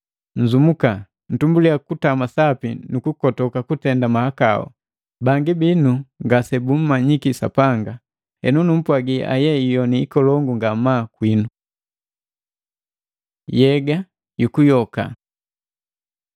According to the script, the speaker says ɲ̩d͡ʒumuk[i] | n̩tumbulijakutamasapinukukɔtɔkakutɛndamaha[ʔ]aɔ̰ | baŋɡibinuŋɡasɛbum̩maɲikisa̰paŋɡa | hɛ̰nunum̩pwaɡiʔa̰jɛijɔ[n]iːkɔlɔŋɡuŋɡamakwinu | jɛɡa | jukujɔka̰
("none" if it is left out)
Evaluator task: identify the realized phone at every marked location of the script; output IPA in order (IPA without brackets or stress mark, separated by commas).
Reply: a, k, n